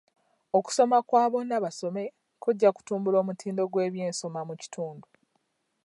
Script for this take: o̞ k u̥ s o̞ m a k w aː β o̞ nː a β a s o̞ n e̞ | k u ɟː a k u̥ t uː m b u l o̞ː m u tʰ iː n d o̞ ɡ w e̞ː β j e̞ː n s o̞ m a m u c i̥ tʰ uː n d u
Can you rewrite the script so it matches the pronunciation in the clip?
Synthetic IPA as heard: o̞ k u̥ s o̞ m a k w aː β o̞ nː a β a s o̞ m e̞ | k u ɟː a k u̥ t uː m b u l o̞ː m u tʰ iː n d o̞ ɡ w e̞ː β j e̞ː n s o̞ m a m u c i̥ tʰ uː n d u